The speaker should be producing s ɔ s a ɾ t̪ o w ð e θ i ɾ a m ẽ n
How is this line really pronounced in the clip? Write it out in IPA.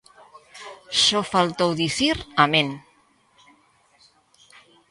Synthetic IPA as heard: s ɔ f a l t̪ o w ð i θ i ɾ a m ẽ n